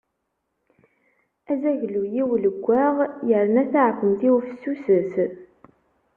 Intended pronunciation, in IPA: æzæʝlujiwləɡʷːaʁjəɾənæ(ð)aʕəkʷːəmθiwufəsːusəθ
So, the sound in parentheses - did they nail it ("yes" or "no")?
no